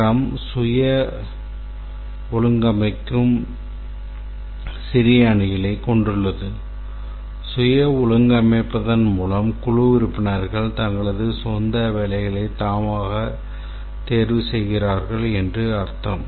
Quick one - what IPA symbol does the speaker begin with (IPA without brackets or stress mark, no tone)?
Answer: ɐ